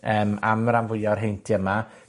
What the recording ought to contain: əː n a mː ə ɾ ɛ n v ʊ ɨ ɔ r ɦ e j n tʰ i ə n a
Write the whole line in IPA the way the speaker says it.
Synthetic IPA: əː m a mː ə ɾ a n v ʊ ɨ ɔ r ɦ e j n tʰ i ə m a